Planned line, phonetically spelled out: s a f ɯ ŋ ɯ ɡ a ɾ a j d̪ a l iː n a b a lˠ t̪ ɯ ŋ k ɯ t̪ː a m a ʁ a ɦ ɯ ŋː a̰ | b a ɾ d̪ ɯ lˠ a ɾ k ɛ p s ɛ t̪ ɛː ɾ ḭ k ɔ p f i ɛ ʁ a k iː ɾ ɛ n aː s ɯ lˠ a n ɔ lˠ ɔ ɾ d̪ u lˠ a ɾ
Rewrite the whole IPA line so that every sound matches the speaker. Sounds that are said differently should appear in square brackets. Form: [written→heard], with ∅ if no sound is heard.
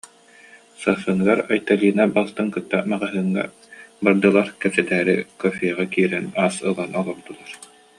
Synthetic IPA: s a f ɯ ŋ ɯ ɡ a ɾ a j [d̪→t̪] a l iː n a b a lˠ t̪ ɯ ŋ k ɯ t̪ː a m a ʁ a ɦ ɯ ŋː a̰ | b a ɾ d̪ ɯ lˠ a ɾ k ɛ p s ɛ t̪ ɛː ɾ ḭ k ɔ [p→∅] f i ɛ ʁ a k iː ɾ ɛ n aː s ɯ lˠ a n ɔ lˠ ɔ ɾ d̪ u lˠ a ɾ

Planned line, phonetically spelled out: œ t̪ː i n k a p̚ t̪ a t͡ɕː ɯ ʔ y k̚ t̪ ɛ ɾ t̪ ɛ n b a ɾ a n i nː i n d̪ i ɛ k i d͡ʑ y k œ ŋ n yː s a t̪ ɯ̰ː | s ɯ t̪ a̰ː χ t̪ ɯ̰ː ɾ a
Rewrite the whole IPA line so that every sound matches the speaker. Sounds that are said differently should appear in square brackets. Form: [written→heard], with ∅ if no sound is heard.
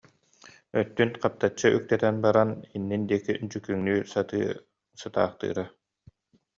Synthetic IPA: œ t̪ː [i→y] n [k→q] a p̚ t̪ a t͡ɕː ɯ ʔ y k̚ t̪ ɛ [ɾ→∅] t̪ ɛ n b a ɾ a n i nː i n d̪ i ɛ k i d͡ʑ y k [œ→y] ŋ n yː s a t̪ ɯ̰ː | s ɯ t̪ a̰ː χ t̪ ɯ̰ː ɾ a

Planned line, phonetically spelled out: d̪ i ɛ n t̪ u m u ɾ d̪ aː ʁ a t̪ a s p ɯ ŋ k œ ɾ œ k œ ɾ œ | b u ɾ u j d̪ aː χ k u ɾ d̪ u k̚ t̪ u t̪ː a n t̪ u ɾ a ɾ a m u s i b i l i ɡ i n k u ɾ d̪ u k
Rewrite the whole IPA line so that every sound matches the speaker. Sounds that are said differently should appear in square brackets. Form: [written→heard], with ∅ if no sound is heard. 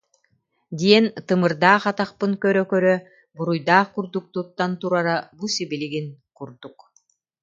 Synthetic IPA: d̪ i ɛ n t̪ [u→ɯ] m [u→ɯ] ɾ d̪ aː [ʁ→χ] a t̪ a [s→χ] p ɯ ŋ k œ ɾ œ k œ ɾ œ | b u ɾ u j d̪ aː χ k u ɾ d̪ u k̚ t̪ u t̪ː a n t̪ u ɾ a ɾ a [m→b] u s i b i l i ɡ i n k u ɾ d̪ u k

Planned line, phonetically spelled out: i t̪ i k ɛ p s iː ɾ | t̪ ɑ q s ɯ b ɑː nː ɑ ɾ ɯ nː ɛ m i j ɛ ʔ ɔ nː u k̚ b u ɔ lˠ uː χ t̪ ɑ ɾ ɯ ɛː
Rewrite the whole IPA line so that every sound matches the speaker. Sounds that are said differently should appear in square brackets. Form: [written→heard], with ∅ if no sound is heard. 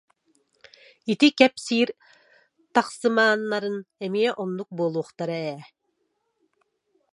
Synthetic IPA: i t̪ i k ɛ p s iː ɾ | t̪ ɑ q s ɯ [b→m] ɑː nː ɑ ɾ ɯ [nː→n] ɛ m i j ɛ ʔ ɔ nː u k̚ b u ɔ lˠ uː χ t̪ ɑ ɾ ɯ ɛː

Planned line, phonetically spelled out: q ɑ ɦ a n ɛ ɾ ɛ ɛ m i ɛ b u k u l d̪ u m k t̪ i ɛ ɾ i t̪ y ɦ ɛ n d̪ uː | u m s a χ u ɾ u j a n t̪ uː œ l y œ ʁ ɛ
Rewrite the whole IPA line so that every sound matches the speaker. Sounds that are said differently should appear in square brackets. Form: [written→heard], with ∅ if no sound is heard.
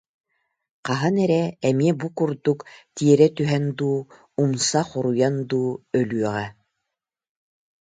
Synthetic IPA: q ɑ ɦ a n ɛ ɾ ɛ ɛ m i ɛ b u k u [l→ɾ] d̪ u [m→∅] k t̪ i ɛ ɾ [i→ɛ] t̪ y ɦ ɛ n d̪ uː | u m s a χ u ɾ u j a n [t̪→d̪] uː œ l y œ ʁ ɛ

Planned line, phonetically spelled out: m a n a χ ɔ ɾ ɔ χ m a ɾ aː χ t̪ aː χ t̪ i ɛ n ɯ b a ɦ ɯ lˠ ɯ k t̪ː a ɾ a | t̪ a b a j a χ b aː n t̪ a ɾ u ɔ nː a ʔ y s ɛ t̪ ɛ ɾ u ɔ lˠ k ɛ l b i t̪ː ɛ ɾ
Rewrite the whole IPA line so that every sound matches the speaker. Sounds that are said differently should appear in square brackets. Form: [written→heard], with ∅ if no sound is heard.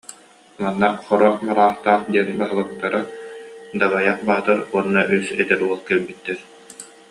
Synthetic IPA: m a [n→nː] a χ ɔ ɾ ɔ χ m a ɾ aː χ t̪ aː χ [t̪→d̪] i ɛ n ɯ b a ɦ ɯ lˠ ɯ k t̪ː a ɾ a | [t̪→d̪] a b a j a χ b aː [n→∅] t̪ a ɾ u ɔ nː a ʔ y s ɛ t̪ ɛ ɾ u ɔ lˠ k ɛ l b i t̪ː ɛ ɾ

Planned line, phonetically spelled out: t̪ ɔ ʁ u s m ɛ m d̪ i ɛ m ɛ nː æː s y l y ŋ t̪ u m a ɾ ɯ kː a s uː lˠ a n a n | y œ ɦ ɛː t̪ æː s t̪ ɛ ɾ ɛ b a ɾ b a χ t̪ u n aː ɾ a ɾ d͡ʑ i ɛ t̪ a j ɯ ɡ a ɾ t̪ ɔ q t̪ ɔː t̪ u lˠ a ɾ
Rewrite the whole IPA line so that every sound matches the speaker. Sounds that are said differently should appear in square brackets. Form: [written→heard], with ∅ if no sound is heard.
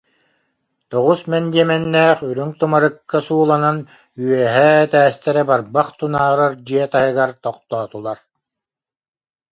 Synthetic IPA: t̪ ɔ ʁ u s m ɛ [m→n] d̪ i ɛ m ɛ nː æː [s→χ] y [l→ɾ] y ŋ t̪ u m a ɾ ɯ kː a s uː lˠ a n a n | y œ ɦ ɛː t̪ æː s t̪ ɛ ɾ ɛ b a ɾ b a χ t̪ u n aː ɾ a ɾ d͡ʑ i ɛ t̪ a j ɯ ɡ a ɾ t̪ ɔ q t̪ ɔː t̪ u lˠ a ɾ

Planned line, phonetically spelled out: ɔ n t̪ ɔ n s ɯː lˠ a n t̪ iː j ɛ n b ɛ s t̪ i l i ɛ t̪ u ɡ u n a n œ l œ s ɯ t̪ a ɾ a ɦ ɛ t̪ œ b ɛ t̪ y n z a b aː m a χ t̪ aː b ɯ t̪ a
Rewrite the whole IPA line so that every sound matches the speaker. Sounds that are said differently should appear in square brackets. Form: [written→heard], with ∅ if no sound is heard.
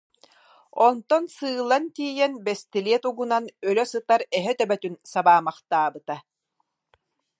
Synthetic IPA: ɔ n t̪ ɔ n s ɯː lˠ a n t̪ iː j ɛ n b ɛ s t̪ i l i ɛ t̪ u ɡ u n a n œ l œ s ɯ t̪ a ɾ [a→ɛ] ɦ ɛ t̪ œ b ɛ t̪ y n [z→s] a b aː m a χ t̪ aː b ɯ t̪ a

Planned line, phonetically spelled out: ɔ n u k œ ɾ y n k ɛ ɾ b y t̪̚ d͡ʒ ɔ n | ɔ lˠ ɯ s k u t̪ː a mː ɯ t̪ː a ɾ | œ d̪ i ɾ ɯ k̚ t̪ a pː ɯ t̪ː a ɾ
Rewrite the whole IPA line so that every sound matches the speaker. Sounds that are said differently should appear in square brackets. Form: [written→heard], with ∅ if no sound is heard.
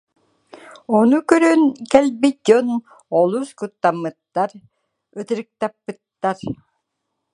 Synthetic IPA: ɔ n u k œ ɾ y n k ɛ [ɾ→l] b [y→i] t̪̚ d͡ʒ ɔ n | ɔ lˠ [ɯ→u] s k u t̪ː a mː ɯ t̪ː a ɾ | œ [d̪→t̪] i ɾ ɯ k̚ t̪ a pː ɯ t̪ː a ɾ

